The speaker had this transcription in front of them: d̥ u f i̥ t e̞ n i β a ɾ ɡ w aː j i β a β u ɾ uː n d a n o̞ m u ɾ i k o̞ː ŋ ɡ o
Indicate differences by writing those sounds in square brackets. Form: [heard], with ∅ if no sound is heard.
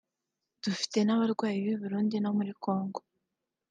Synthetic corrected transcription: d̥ u f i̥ t e̞ n [a] β a ɾ ɡ w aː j i β [i] β u ɾ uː n d [i] n o̞ m u ɾ i k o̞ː ŋ ɡ o